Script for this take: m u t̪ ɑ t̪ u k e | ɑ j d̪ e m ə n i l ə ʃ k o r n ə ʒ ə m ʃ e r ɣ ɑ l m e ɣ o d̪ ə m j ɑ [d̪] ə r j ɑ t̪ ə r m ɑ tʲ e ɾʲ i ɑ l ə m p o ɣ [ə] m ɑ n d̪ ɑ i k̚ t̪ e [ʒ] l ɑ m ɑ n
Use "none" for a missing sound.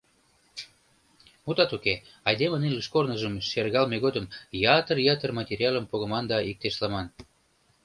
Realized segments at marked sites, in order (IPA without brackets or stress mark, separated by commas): t̪, ə, ʃ